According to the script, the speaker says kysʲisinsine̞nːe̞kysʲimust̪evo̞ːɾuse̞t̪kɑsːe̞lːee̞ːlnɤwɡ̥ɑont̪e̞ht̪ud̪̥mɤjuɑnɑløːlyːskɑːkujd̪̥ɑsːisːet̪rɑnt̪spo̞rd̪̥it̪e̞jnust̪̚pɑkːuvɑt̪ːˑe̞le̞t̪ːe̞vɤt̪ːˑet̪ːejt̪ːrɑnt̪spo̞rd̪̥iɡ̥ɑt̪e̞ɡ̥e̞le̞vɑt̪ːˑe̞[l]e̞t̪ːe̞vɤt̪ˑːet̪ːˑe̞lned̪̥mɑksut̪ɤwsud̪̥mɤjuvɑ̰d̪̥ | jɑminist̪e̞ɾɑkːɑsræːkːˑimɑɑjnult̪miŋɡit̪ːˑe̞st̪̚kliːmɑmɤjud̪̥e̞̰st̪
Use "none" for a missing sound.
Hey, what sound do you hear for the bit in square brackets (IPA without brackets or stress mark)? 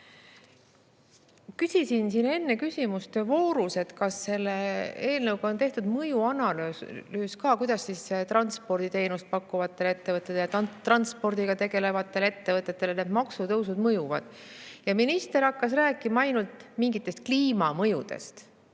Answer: l